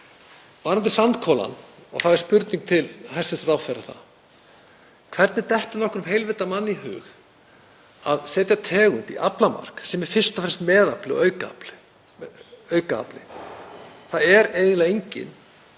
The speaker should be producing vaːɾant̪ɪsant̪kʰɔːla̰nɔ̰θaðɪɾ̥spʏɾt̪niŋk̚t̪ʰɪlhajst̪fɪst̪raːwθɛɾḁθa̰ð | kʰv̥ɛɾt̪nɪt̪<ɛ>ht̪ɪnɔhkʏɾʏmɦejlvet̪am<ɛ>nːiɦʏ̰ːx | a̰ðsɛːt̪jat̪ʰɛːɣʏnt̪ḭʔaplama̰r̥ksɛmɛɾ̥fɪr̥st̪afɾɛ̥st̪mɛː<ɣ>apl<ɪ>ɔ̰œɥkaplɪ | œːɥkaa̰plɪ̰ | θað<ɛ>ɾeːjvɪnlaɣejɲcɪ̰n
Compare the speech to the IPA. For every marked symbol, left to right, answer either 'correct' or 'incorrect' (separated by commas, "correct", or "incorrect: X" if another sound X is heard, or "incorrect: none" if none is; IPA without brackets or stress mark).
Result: correct, incorrect: a, incorrect: ð, correct, correct